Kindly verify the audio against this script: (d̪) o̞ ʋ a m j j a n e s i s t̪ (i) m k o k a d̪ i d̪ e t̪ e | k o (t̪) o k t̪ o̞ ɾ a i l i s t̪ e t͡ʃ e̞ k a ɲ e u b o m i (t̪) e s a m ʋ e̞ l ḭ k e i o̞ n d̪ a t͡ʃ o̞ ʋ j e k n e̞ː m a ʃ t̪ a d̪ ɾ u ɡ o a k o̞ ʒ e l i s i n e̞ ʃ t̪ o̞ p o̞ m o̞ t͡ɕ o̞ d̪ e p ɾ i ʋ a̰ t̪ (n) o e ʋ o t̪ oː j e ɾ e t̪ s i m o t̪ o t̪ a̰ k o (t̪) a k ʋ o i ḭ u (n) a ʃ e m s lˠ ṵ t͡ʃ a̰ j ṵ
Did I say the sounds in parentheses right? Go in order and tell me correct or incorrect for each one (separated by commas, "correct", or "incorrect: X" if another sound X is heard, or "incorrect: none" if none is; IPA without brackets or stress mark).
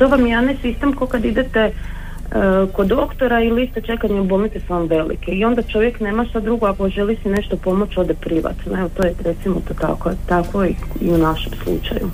incorrect: t̪, incorrect: e, incorrect: d̪, correct, correct, correct, correct